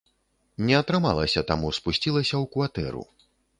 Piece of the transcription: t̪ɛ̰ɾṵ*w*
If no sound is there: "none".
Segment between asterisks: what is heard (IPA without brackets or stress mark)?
none